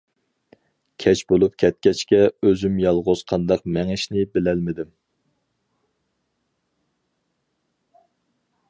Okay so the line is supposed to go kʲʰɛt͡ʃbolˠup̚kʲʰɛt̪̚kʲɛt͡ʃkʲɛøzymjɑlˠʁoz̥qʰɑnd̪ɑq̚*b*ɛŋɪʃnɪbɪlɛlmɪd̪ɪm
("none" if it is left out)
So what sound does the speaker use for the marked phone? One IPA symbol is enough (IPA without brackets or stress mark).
m